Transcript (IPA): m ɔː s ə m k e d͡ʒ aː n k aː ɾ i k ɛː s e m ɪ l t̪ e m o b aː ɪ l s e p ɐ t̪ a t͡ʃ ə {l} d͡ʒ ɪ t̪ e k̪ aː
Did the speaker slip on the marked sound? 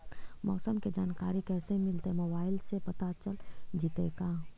no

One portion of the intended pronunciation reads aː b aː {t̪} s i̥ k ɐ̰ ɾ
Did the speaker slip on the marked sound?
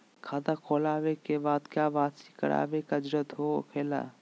no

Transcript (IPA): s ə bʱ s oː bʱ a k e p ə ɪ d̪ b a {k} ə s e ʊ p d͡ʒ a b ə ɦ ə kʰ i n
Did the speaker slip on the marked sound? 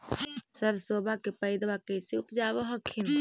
no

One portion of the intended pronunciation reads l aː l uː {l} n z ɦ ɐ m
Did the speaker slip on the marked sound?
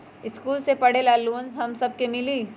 yes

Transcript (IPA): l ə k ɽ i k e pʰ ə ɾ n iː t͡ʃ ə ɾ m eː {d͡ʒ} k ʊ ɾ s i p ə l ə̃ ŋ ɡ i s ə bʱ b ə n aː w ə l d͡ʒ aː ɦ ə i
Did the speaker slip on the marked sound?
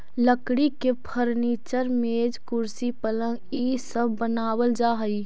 no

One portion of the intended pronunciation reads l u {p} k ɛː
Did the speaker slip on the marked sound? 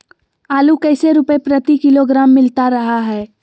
yes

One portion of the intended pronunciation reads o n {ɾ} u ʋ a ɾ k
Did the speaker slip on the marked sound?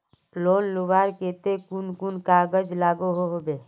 yes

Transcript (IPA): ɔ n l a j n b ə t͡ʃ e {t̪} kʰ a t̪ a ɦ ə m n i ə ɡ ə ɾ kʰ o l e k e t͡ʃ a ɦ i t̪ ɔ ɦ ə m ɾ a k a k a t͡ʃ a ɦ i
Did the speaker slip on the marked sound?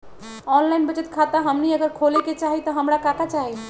no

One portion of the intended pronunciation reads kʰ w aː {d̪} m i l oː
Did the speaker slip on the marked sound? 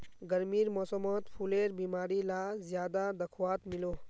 yes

